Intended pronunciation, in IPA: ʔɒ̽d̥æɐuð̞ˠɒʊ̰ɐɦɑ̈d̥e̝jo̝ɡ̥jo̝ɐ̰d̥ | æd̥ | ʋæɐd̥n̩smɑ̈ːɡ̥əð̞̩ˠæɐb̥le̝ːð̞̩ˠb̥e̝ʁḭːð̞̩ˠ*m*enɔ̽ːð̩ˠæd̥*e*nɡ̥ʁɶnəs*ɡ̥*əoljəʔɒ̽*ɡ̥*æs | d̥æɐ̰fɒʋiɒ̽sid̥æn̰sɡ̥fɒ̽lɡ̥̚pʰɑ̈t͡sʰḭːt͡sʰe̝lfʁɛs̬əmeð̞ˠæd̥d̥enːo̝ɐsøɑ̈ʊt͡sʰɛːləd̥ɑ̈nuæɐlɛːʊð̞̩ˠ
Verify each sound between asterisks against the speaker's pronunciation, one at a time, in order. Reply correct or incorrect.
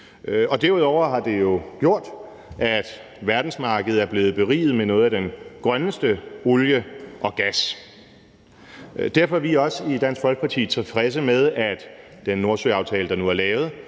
correct, correct, incorrect: d̥, correct

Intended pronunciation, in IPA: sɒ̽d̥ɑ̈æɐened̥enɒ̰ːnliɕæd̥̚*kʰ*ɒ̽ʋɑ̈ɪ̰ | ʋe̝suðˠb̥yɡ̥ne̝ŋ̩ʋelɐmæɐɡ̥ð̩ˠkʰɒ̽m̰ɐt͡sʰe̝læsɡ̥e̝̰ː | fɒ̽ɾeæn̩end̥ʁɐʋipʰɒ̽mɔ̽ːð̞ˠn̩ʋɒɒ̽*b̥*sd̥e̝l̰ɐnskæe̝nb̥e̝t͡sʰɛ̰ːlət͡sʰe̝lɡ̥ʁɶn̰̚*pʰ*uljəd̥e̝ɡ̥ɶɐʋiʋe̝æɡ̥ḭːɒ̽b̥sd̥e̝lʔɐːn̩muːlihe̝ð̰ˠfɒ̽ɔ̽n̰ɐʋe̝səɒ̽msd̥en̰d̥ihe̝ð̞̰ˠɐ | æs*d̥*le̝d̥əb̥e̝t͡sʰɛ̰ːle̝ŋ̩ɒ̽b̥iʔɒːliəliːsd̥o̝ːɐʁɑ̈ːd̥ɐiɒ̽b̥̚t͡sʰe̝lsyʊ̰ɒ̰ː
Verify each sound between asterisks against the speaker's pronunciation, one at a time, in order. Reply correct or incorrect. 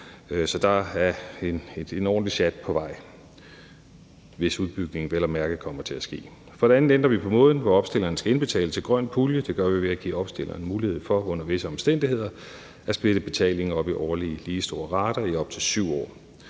incorrect: pʰ, correct, correct, incorrect: b̥

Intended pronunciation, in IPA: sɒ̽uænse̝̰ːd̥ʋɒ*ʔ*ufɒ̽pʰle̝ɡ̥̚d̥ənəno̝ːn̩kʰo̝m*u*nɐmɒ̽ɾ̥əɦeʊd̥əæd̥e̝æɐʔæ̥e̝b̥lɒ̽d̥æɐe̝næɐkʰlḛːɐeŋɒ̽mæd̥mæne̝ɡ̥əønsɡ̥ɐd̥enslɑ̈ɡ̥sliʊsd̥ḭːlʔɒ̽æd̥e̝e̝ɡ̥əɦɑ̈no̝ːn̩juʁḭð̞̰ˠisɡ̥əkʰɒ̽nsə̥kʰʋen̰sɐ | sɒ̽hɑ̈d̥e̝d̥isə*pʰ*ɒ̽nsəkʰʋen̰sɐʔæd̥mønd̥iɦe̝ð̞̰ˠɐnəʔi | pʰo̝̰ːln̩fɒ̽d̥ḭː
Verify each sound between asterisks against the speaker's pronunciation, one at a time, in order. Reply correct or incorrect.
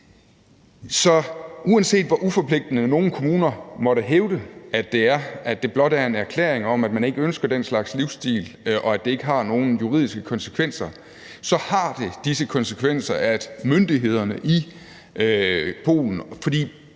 correct, incorrect: uː, incorrect: kʰ

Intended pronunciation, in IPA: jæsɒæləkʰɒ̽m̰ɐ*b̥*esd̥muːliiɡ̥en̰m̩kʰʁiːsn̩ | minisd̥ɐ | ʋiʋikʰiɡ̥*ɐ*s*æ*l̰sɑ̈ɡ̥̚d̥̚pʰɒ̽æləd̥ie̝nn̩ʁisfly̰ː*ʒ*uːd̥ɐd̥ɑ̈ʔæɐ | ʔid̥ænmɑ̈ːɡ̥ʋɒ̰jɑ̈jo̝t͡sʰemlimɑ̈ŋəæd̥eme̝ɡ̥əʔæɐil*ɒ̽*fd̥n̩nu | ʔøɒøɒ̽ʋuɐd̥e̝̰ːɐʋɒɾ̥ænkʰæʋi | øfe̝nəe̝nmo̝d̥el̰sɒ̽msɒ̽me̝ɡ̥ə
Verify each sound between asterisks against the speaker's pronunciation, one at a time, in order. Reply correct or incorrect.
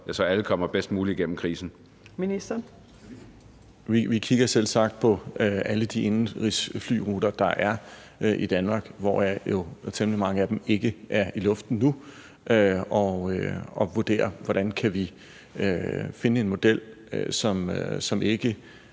correct, correct, incorrect: e, incorrect: ʁ, incorrect: ɔ̽

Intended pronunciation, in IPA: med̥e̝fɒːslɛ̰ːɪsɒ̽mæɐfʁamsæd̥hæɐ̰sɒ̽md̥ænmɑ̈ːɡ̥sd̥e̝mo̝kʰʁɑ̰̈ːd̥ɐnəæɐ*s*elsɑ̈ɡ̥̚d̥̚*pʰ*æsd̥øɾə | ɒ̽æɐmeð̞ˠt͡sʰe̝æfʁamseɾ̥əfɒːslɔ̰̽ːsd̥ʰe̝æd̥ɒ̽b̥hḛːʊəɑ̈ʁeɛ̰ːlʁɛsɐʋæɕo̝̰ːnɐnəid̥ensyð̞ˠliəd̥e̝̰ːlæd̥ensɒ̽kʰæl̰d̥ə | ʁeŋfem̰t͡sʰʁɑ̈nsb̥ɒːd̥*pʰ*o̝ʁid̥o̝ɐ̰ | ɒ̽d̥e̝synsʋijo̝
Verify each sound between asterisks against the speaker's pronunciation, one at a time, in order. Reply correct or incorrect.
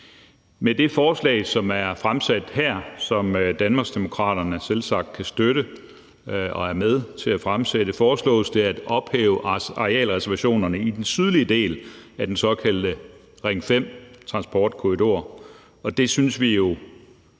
correct, incorrect: kʰ, incorrect: kʰ

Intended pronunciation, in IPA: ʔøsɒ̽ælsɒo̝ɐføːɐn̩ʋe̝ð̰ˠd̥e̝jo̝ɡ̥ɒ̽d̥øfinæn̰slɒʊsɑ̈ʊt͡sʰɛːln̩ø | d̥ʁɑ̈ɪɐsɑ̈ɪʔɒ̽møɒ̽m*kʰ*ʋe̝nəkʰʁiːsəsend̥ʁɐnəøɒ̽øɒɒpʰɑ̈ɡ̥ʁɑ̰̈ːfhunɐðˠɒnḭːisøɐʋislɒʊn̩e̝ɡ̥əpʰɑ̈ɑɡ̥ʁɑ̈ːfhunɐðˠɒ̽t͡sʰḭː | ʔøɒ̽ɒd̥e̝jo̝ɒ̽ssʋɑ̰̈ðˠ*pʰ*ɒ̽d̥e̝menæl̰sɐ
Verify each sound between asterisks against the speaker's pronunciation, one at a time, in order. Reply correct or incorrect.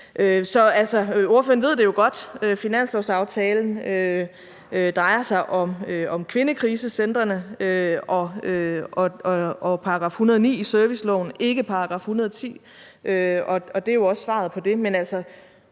correct, correct

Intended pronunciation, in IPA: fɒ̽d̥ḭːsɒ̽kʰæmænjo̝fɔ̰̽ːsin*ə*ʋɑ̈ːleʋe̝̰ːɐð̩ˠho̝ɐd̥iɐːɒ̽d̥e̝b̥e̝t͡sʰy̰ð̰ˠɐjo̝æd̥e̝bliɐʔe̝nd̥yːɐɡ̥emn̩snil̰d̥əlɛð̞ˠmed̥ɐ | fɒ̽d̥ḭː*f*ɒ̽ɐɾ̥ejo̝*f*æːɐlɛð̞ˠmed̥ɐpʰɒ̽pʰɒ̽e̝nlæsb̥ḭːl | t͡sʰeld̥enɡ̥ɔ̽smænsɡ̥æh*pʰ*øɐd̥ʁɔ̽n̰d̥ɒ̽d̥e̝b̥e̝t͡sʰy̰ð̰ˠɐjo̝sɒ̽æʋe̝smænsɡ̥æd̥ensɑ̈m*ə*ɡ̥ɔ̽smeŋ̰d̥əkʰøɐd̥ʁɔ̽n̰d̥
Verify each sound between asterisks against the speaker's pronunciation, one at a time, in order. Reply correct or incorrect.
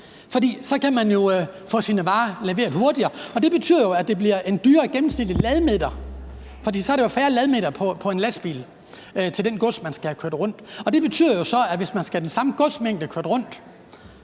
correct, incorrect: s, correct, incorrect: kʰ, correct

